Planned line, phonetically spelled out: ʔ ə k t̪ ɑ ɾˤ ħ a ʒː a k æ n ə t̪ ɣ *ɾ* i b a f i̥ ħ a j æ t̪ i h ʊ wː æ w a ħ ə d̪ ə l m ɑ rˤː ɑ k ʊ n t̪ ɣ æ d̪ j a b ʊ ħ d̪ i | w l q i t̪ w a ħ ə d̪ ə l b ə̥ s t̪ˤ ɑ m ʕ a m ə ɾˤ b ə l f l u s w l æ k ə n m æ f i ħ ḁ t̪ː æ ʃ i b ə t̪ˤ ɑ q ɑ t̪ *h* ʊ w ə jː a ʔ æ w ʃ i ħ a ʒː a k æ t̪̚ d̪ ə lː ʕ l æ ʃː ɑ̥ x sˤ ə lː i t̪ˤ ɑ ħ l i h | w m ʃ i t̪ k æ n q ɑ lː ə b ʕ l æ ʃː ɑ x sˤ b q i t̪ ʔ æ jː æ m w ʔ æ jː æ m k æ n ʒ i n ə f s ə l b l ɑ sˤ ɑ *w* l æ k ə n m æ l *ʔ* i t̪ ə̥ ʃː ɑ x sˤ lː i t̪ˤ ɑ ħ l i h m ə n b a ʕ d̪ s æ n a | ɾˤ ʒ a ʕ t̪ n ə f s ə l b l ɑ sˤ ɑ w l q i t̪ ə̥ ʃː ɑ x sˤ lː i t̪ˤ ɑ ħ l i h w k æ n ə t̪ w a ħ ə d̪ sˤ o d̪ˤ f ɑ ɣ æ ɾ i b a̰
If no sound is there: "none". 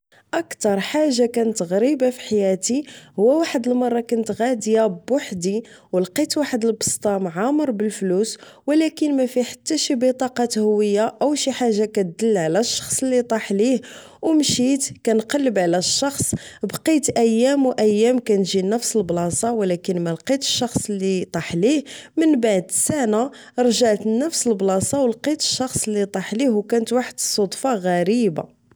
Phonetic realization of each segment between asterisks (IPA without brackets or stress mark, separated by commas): ɾ, h, w, q